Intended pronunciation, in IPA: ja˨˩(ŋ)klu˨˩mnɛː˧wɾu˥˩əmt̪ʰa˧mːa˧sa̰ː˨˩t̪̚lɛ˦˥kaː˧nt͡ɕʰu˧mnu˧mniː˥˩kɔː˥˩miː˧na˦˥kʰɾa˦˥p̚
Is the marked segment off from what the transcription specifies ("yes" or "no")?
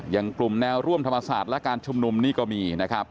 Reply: no